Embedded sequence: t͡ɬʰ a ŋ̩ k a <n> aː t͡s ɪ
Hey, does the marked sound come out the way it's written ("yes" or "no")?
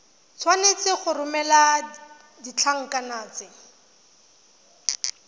yes